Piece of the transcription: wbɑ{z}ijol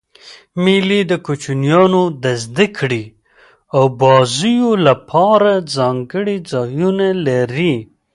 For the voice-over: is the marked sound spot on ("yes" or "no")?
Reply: yes